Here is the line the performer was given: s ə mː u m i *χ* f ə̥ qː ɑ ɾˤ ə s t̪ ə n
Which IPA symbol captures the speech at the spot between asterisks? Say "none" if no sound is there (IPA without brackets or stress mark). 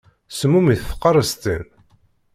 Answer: θ